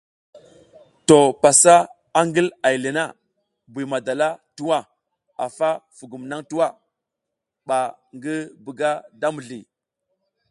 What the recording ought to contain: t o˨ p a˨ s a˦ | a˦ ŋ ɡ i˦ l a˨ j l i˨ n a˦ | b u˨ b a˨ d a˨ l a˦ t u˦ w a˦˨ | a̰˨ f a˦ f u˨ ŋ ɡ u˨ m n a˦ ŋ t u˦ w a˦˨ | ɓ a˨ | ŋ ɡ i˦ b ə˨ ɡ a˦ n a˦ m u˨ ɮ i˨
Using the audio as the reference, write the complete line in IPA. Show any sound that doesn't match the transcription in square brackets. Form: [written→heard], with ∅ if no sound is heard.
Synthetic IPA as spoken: t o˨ p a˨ s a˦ | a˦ ŋ ɡ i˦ l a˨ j l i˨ n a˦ | b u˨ [b→m] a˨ d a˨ l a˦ t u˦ w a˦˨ | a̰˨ f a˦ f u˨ [ŋ→∅] ɡ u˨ m n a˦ ŋ t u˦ w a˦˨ | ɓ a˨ | ŋ ɡ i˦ b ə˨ ɡ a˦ [n→d] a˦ m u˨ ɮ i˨